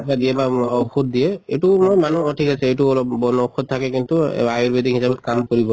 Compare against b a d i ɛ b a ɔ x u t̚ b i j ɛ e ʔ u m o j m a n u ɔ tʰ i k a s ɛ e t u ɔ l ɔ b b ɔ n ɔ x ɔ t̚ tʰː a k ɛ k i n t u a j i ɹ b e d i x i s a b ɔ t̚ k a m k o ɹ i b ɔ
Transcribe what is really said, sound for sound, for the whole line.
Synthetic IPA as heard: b a d i ɛ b a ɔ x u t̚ d i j ɛ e t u m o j m a n u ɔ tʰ i k a s ɛ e t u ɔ l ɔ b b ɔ n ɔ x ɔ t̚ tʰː a k ɛ k i n t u a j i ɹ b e d i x i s a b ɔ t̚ k a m k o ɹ i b ɔ